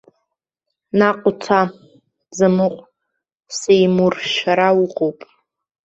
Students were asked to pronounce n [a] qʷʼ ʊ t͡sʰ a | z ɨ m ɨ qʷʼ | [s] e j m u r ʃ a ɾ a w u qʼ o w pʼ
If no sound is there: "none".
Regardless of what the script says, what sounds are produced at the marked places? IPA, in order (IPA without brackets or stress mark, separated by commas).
a, s